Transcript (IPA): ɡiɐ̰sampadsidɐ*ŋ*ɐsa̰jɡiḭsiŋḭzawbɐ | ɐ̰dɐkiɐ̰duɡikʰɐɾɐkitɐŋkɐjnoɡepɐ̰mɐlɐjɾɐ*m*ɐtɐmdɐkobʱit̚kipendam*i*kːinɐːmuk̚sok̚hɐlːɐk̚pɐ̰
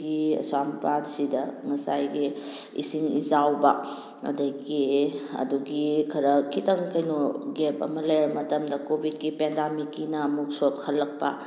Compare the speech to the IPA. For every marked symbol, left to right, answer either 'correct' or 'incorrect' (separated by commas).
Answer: correct, correct, correct